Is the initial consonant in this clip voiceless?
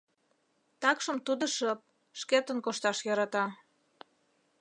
yes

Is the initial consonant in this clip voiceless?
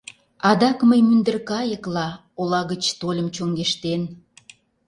no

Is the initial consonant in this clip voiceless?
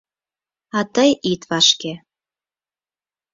yes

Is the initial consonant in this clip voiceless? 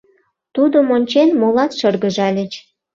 yes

